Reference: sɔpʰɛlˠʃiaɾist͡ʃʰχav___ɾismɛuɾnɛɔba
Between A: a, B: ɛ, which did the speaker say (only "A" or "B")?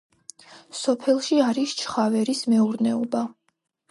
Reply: B